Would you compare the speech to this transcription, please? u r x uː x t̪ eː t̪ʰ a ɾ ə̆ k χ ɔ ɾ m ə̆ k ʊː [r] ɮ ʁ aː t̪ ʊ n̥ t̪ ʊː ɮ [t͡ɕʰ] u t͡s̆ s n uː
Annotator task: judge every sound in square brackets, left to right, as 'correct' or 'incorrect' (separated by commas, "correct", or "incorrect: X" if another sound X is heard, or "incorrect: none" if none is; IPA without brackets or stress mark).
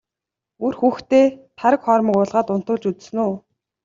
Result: incorrect: none, incorrect: t͡ɕ